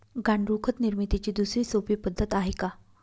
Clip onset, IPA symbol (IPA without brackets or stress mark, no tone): ɡ